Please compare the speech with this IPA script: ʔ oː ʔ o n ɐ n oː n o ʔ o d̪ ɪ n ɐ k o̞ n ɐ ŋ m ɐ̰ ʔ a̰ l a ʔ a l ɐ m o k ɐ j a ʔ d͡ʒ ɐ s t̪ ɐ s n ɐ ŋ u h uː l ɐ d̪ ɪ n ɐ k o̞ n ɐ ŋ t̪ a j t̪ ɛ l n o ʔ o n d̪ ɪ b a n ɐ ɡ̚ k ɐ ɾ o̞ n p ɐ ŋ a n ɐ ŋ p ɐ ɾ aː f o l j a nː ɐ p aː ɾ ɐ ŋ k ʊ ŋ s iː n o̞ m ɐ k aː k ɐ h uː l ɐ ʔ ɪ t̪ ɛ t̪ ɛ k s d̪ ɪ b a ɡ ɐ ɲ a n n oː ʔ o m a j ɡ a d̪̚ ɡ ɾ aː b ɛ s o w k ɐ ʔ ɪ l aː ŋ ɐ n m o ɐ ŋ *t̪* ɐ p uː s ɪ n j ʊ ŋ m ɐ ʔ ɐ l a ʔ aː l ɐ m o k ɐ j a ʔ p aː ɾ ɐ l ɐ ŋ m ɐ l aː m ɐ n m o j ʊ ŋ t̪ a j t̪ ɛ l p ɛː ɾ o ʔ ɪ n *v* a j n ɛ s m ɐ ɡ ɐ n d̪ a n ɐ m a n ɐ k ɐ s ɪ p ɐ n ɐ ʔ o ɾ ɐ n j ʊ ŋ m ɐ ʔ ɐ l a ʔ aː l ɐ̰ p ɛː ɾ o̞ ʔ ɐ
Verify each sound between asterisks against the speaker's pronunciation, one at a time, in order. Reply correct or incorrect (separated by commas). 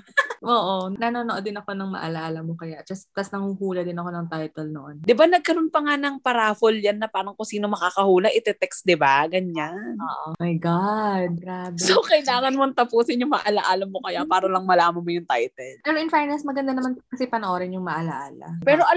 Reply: correct, incorrect